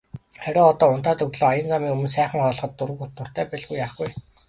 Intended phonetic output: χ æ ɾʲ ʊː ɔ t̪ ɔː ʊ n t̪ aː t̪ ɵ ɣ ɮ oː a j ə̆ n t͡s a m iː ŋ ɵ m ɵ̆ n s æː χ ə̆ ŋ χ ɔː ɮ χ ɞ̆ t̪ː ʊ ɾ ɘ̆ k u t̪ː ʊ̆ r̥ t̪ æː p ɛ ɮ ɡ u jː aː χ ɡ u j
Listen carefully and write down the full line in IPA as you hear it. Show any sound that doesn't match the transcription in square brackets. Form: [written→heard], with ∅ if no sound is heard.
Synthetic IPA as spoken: χ æ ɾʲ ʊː ɔ t̪ ɔː ʊ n t̪ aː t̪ ɵ ɣ ɮ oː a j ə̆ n t͡s a m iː ŋ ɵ m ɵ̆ n s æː χ ə̆ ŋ χ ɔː ɮ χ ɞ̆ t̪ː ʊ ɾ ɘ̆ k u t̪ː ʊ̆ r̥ t̪ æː p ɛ ɮ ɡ u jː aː χ ɡ u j